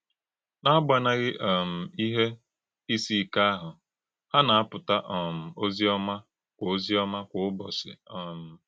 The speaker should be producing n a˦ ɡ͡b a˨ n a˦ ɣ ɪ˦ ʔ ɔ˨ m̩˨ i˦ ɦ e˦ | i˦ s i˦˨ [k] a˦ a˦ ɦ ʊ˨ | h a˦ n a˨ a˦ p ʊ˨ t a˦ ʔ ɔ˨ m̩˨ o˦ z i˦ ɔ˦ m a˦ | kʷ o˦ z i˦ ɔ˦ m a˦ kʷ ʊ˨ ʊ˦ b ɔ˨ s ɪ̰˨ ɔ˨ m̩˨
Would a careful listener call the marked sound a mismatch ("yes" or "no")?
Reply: no